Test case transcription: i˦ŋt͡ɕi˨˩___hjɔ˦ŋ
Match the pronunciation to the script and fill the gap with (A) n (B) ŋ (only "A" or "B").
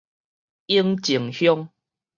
B